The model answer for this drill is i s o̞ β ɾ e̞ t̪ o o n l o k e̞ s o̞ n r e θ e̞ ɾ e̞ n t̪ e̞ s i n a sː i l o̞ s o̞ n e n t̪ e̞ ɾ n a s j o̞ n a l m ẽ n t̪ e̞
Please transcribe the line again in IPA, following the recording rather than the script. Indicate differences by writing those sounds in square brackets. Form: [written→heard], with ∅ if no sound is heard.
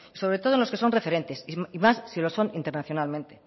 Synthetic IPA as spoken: i s o̞ β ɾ e̞ t̪ o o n l o k e̞ s o̞ n r e [θ→f] e̞ ɾ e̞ n t̪ e̞ s i [n→m] a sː i l o̞ s o̞ n [e→i] n t̪ e̞ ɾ n a [s→θ] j o̞ n a l m ẽ n t̪ e̞